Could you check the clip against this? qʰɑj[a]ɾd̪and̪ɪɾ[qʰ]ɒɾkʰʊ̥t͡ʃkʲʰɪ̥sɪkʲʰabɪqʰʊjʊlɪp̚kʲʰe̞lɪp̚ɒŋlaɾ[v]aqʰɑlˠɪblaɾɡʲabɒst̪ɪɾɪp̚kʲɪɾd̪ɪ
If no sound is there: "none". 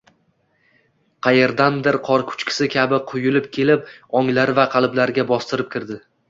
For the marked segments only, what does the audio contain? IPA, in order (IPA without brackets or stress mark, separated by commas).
e, qʰ, v